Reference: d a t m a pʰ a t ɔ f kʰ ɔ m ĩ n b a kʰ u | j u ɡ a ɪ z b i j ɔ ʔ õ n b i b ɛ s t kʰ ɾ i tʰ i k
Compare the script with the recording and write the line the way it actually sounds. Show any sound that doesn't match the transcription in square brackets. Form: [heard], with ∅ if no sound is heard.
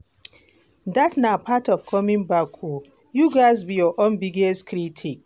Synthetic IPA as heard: d a t [n] a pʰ a t ɔ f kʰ ɔ m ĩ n b a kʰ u | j u ɡ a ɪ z b i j ɔ ʔ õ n b i [ɡ] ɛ s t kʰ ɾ i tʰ i k